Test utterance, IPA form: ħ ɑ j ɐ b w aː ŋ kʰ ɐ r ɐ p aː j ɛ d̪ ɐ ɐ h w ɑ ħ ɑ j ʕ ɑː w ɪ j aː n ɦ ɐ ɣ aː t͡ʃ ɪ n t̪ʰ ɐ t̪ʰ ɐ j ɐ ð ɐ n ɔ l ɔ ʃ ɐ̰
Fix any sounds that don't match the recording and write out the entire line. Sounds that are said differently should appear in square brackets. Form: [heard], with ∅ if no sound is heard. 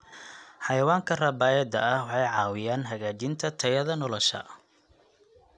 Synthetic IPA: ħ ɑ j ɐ [∅] w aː ŋ kʰ ɐ r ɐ [b] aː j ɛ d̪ ɐ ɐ h w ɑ ħ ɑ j ʕ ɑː w ɪ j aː n ɦ ɐ ɣ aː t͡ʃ ɪ n t̪ʰ ɐ t̪ʰ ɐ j ɐ ð ɐ n ɔ l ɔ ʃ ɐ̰